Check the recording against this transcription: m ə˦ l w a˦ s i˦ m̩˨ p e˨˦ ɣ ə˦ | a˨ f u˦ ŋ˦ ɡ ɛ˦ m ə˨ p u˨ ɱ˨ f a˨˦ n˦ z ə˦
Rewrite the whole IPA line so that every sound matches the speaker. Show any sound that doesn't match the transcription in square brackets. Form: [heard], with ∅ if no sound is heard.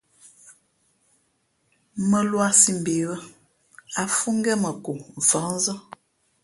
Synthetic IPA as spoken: m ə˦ l w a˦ s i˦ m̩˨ [b] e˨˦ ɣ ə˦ | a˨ f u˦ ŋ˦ ɡ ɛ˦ m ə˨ [k] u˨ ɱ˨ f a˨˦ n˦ z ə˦

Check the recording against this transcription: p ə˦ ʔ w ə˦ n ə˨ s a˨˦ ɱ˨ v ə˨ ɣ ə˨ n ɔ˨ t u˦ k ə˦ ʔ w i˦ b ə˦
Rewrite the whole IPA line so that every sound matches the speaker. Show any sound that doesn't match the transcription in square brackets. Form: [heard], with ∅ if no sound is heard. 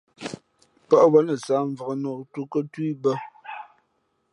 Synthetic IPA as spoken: p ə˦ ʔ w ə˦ n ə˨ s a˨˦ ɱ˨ v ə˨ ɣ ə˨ n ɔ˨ t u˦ k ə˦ [t] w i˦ b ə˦

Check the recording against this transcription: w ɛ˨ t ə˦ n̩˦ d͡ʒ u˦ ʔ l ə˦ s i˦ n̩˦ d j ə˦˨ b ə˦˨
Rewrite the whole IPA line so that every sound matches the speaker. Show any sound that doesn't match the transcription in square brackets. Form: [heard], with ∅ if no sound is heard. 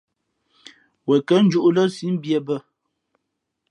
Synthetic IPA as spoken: w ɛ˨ [k] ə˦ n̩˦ d͡ʒ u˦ ʔ l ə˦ s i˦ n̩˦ [b] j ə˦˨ b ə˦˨

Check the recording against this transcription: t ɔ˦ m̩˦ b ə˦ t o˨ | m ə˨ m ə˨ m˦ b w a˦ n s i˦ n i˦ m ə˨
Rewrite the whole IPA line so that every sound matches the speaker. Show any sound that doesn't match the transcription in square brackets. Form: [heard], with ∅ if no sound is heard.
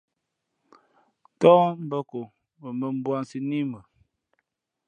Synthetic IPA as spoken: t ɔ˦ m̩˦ b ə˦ [k] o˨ | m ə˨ m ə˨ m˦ b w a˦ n s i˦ n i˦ m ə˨

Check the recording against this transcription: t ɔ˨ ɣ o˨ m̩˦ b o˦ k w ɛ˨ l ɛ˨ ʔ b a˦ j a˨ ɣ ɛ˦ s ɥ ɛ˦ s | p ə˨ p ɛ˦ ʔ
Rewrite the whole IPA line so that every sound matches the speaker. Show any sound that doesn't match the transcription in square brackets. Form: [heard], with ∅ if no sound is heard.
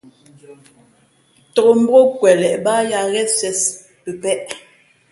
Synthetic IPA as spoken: t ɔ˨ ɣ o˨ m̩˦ b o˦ k w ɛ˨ l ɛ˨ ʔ b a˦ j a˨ ɣ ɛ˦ s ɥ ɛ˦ s | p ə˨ p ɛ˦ ʔ

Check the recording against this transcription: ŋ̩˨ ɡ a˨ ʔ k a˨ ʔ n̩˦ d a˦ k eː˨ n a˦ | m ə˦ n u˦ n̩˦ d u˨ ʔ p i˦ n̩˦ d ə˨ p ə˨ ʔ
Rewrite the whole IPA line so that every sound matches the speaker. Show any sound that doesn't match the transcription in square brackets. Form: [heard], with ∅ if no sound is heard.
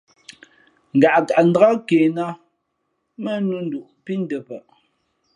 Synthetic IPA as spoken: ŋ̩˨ ɡ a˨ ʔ k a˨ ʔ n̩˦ d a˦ k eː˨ n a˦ | m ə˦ n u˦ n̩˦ d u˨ ʔ p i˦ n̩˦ d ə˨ p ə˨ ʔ

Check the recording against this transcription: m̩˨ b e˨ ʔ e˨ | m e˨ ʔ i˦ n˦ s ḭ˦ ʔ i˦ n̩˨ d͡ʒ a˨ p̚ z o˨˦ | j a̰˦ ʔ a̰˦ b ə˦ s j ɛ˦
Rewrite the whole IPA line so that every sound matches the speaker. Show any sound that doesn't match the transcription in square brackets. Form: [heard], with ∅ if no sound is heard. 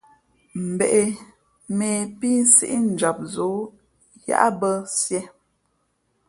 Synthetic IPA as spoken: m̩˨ b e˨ ʔ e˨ | m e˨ [p] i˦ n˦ s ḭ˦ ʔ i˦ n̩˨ d͡ʒ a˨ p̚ z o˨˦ | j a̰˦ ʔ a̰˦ b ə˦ s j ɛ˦

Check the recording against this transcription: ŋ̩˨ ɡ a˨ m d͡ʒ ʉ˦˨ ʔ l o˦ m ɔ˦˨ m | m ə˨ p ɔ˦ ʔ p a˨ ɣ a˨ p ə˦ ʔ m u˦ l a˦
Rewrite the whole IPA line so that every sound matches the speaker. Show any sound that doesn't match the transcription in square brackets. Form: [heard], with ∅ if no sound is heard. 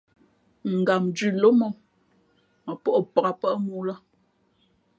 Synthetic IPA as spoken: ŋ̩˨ ɡ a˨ m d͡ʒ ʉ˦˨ [∅] l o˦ m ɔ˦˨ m | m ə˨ p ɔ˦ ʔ p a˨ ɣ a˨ p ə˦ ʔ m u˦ l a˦

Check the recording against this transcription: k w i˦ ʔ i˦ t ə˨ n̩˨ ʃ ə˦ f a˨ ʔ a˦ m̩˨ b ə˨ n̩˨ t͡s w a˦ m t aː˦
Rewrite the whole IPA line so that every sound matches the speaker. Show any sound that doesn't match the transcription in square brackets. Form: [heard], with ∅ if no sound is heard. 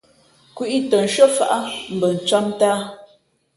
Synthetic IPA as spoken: k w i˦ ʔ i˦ t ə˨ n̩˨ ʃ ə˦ f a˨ ʔ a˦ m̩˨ b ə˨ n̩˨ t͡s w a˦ m t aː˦

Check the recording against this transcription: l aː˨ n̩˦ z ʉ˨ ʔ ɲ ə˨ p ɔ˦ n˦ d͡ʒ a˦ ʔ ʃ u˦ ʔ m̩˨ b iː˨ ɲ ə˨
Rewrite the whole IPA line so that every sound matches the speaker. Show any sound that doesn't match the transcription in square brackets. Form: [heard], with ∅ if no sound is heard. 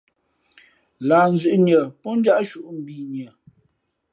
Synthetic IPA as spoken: l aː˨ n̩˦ z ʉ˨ ʔ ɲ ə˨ p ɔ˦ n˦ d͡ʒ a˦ ʔ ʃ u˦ ʔ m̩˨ b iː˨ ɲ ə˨

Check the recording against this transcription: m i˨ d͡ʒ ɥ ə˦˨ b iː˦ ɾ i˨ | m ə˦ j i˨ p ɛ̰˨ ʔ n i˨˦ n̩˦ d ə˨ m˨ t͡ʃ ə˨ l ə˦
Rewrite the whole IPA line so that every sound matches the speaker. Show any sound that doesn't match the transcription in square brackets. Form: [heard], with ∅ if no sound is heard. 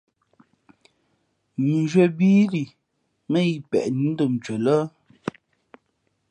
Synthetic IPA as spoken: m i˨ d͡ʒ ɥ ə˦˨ b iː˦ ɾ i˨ | m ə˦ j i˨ p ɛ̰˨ ʔ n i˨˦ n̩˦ d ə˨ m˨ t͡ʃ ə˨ l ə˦

